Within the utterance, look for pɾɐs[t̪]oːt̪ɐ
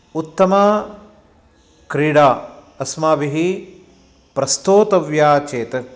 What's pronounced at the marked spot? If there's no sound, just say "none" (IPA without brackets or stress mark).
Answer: t̪